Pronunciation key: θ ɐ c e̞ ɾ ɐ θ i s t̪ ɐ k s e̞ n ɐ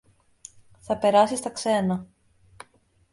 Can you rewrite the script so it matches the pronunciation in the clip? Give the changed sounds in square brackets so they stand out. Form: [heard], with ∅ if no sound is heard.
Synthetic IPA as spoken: θ ɐ [p] e̞ ɾ ɐ [s] i s t̪ ɐ k s e̞ n ɐ